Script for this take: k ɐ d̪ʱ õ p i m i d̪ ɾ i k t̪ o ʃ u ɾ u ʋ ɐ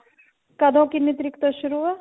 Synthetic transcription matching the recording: k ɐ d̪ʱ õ k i n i t̪ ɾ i k t̪ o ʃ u ɾ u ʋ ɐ

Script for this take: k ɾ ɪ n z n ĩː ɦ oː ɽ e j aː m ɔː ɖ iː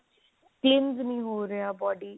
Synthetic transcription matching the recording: k l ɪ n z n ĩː ɦ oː ɾ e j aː b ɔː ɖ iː

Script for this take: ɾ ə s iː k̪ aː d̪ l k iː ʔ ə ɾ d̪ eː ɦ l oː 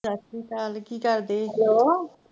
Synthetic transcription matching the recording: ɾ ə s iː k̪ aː l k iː k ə ɾ d̪ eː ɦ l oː

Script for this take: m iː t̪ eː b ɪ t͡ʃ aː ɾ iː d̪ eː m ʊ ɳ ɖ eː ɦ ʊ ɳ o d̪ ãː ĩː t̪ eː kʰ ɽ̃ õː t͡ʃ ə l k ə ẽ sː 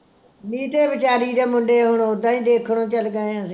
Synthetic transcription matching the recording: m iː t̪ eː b ɪ t͡ʃ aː ɾ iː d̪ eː m ʊ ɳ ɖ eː ɦ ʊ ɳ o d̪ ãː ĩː d̪ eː kʰ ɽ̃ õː t͡ʃ ə l ɡ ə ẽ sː

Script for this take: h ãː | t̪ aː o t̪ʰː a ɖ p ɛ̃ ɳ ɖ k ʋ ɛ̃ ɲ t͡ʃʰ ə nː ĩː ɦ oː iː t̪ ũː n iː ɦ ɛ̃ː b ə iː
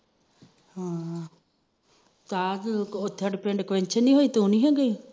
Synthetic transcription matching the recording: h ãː | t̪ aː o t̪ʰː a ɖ p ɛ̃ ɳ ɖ k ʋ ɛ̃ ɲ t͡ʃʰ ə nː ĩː ɦ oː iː t̪ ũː n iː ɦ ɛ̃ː ɡ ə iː

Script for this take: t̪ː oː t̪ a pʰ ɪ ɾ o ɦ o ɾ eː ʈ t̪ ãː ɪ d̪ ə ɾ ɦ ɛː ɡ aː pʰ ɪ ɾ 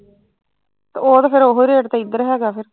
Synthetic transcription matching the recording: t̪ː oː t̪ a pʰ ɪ ɾ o ɦ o ɾ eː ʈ t̪ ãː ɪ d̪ ə ɾ ɦ ɛː ɡ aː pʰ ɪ ɾ

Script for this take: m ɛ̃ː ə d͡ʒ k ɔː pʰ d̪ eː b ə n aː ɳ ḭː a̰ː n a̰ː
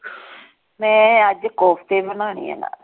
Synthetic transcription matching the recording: m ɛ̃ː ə d͡ʒ k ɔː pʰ t̪ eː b ə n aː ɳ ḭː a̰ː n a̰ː

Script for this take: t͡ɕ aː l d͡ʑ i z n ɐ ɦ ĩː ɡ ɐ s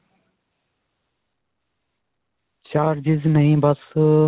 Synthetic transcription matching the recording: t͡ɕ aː ɾ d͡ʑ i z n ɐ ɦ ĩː b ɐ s

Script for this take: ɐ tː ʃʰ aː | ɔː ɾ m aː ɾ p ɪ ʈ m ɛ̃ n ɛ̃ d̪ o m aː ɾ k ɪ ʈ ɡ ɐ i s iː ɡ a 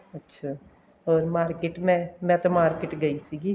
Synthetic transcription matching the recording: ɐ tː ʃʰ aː | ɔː ɾ m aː ɾ k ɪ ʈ m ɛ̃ m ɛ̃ t̪ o m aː ɾ k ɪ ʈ ɡ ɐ i s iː ɡ i

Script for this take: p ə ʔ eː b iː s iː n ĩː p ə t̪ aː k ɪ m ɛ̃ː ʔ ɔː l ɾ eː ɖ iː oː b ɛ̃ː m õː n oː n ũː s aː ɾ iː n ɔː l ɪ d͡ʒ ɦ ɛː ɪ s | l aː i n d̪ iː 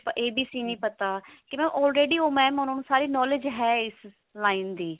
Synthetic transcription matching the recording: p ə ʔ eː b iː s iː n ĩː p ə t̪ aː k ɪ m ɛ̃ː ʔ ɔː l ɾ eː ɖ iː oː m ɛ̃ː m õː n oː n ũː s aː ɾ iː n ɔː l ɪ d͡ʒ ɦ ɛː ɪ s | l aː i n d̪ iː

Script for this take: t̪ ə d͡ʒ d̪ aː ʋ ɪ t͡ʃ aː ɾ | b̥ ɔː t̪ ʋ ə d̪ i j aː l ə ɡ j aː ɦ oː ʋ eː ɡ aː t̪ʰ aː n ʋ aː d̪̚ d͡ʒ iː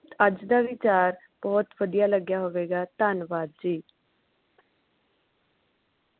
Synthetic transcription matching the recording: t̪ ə d͡ʒ d̪ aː ʋ ɪ t͡ʃ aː ɾ | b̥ ɔː t̪ ʋ ə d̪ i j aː l ə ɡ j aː ɦ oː ʋ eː ɡ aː t̪ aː n ʋ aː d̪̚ d͡ʒ iː

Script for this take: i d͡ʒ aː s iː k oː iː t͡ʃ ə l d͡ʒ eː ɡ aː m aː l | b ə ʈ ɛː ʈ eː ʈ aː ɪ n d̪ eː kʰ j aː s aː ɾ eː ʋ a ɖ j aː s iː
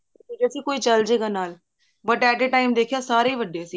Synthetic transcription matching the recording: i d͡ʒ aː s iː k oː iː t͡ʃ ə l d͡ʒ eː ɡ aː n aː l | b ə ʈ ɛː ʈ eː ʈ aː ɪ m d̪ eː kʰ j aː s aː ɾ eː ʋ ə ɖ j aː s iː

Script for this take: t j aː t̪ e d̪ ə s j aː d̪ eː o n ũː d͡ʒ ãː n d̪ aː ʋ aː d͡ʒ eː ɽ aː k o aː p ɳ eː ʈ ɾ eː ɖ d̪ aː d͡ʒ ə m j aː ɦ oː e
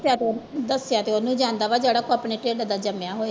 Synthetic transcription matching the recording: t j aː t̪ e d̪ ə s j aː t̪ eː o n ũː d͡ʒ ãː n d̪ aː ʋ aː d͡ʒ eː ɽ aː k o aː p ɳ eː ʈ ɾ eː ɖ d̪ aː d͡ʒ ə m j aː ɦ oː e

